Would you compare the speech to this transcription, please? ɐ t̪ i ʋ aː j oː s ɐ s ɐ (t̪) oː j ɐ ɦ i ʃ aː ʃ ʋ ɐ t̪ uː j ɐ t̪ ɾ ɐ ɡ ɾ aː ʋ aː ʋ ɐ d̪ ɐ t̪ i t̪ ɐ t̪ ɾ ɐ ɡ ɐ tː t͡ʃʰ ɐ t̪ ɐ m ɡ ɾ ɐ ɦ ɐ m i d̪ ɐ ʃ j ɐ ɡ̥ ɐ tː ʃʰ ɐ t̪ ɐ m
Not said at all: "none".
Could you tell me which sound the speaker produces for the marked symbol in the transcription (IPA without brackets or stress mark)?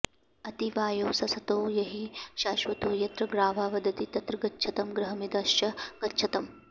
t̪